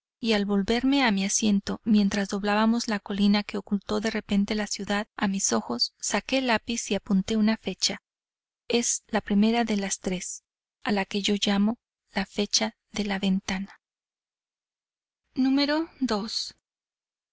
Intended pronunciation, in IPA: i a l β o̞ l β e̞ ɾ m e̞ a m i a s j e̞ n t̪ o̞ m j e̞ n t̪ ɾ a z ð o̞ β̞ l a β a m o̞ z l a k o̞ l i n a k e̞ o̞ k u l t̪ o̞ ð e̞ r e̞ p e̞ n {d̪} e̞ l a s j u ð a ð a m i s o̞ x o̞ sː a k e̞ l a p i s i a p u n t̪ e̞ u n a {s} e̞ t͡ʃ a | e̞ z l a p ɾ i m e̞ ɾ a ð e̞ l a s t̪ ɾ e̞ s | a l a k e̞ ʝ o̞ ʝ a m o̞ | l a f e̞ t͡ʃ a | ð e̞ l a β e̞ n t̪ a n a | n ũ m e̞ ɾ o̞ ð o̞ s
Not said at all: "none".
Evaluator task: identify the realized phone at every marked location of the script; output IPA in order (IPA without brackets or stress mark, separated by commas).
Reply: t̪, f